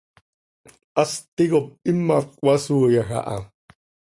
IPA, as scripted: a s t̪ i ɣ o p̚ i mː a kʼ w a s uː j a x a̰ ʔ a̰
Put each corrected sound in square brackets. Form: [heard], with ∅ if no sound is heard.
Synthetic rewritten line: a s t̪ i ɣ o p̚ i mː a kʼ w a s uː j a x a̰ ʔ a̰